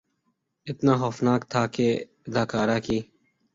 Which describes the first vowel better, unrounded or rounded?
unrounded